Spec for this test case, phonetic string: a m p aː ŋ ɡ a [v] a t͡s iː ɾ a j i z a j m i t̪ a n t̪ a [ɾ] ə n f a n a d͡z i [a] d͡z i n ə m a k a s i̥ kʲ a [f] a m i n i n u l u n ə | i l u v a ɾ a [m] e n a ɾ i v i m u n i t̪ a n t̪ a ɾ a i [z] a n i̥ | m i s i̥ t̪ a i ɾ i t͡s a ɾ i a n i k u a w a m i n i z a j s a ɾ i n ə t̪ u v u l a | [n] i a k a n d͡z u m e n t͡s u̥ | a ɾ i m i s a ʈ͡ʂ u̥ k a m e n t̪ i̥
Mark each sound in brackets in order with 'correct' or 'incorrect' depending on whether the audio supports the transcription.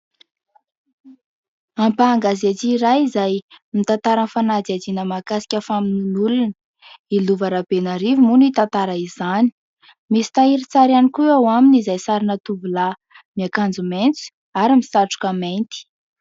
incorrect: z, correct, correct, correct, incorrect: b, correct, incorrect: m

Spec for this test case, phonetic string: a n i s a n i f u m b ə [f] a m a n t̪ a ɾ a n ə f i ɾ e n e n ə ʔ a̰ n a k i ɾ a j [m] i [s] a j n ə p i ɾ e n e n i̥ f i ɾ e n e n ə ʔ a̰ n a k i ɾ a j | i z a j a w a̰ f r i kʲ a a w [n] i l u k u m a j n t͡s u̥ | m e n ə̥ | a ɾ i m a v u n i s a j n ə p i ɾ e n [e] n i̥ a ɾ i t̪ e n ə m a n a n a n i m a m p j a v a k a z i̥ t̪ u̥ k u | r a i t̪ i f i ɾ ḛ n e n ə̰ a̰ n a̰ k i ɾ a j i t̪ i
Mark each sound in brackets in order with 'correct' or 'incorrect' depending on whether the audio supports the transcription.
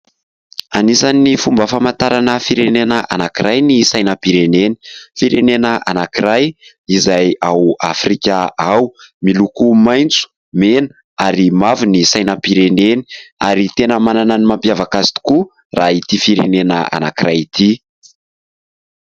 correct, incorrect: n, correct, incorrect: m, correct

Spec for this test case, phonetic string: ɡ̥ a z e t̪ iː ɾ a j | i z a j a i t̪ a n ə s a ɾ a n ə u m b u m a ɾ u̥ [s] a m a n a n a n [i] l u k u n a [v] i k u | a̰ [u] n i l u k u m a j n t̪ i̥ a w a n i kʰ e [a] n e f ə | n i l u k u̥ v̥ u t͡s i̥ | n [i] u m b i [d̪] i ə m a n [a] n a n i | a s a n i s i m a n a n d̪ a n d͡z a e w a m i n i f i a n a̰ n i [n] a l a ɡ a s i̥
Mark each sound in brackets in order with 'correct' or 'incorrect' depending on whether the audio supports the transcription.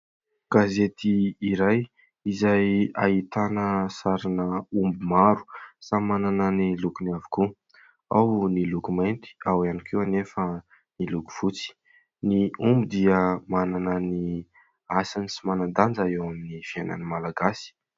correct, correct, correct, incorrect: w, correct, correct, correct, correct, incorrect: m

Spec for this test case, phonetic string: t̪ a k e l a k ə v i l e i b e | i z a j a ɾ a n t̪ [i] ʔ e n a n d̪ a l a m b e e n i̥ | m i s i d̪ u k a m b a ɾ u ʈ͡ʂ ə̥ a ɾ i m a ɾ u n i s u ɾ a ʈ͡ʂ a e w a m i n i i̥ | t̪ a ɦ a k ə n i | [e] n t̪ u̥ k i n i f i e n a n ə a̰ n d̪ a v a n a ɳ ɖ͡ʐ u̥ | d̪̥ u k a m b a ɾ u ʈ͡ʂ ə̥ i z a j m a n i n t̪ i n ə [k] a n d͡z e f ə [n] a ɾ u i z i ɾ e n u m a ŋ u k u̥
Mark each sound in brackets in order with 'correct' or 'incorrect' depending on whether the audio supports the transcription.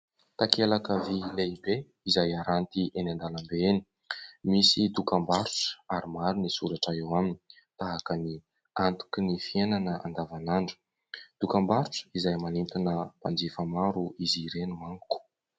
correct, incorrect: a, incorrect: p, incorrect: m

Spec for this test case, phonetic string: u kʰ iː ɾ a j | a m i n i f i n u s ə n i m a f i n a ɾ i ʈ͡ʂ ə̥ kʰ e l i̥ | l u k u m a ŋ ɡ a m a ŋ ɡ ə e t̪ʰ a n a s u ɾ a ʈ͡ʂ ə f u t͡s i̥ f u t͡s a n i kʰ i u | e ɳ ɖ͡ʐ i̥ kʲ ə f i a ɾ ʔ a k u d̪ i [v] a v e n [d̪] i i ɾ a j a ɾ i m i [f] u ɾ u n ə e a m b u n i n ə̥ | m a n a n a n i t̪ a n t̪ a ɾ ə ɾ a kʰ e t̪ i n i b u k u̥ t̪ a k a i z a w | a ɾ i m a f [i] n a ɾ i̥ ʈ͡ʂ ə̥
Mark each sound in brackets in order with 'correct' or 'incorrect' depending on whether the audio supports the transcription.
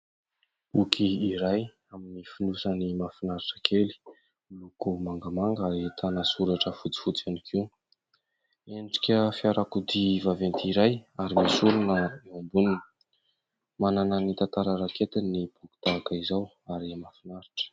correct, incorrect: t̪, incorrect: s, correct

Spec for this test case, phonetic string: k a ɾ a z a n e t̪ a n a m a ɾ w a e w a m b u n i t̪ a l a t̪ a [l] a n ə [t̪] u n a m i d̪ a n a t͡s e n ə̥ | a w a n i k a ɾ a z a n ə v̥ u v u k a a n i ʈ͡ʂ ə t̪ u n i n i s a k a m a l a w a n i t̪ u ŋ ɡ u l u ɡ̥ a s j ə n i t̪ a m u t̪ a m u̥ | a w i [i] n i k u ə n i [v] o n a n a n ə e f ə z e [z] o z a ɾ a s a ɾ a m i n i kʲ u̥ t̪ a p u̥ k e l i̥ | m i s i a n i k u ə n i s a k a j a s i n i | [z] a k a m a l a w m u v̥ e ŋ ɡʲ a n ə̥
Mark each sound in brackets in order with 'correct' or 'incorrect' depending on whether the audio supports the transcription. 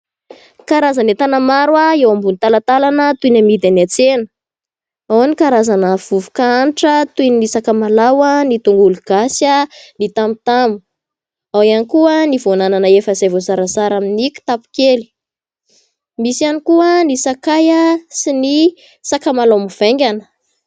correct, correct, incorrect: a, correct, incorrect: v, incorrect: s

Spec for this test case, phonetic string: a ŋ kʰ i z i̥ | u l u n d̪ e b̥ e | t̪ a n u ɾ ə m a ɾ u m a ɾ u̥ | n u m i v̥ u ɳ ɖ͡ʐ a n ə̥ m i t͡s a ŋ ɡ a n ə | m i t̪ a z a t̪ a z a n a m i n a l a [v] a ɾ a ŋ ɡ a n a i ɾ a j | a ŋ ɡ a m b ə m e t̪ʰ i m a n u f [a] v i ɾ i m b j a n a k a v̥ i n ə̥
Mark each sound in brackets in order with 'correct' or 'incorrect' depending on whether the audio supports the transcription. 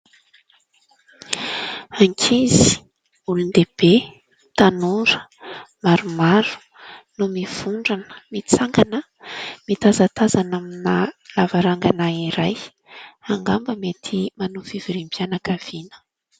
correct, incorrect: i

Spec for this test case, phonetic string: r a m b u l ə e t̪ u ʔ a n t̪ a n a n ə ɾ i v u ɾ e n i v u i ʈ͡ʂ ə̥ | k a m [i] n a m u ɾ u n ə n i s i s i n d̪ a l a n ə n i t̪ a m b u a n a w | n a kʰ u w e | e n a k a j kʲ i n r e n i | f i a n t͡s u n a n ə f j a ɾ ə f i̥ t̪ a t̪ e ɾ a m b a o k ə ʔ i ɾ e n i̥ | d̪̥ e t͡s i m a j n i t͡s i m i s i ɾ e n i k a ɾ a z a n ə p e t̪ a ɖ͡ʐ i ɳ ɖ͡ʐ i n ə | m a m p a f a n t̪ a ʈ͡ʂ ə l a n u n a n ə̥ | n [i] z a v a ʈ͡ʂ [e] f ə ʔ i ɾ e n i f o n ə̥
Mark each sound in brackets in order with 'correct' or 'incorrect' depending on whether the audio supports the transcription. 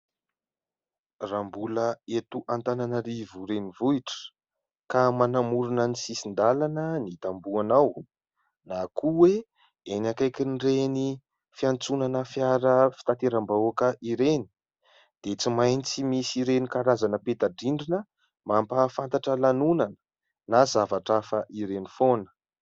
incorrect: a, incorrect: a, incorrect: a

